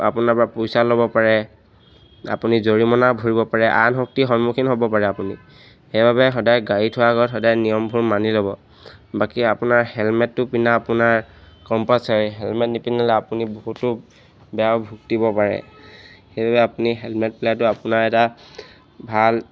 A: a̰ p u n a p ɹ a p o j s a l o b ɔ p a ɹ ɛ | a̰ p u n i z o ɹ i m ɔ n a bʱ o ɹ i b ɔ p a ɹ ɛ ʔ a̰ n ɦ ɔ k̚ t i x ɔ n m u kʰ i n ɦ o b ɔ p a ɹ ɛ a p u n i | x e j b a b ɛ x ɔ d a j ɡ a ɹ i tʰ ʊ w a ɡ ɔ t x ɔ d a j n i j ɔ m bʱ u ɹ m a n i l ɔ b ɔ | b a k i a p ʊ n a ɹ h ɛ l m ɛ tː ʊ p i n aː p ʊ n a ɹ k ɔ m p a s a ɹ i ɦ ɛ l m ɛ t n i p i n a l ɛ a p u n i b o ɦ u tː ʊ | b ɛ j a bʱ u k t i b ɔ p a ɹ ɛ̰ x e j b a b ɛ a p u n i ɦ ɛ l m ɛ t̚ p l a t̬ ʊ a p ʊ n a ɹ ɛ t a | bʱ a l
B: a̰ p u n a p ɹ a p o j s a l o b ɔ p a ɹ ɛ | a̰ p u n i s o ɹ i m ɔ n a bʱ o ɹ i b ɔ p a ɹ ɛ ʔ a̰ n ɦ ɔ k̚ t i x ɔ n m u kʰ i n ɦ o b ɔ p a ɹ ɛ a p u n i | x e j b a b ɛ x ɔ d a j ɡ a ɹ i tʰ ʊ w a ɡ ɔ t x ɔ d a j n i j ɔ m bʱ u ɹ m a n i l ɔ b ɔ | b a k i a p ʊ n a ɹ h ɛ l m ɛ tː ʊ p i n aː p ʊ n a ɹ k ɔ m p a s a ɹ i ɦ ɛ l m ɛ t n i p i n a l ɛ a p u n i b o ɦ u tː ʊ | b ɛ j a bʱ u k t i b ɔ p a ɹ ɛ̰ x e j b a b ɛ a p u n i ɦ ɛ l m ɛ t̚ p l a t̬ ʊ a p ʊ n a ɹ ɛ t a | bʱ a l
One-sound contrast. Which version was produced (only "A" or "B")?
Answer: A